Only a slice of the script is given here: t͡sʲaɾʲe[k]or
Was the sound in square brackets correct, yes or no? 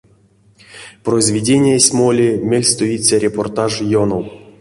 no